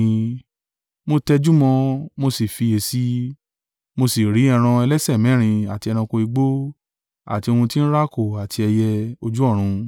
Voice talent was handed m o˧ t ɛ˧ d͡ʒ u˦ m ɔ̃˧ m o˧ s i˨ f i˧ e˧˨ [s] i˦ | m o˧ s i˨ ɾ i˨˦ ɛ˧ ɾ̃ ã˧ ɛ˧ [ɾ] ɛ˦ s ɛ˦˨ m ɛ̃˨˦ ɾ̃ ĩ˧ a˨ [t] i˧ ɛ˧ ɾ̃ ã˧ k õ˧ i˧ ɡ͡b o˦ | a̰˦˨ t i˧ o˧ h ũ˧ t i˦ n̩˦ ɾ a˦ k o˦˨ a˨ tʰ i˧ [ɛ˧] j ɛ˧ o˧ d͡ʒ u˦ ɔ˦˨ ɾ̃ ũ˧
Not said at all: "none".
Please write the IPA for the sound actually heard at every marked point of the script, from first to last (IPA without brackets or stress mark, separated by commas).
s, l, t, ɛ˧